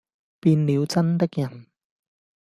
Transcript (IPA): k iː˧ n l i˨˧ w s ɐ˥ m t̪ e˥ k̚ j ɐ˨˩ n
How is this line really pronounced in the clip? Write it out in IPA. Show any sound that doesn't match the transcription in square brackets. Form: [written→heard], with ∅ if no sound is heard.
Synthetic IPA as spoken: [k→p] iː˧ n l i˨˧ w [s→t͡s] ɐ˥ [m→n] t̪ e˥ k̚ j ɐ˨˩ n